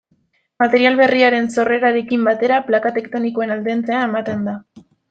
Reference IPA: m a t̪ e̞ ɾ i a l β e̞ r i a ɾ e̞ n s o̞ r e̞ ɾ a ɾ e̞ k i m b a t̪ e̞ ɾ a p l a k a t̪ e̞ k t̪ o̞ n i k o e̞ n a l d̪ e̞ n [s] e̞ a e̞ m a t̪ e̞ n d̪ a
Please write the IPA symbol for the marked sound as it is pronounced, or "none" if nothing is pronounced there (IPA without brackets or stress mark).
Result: t͡s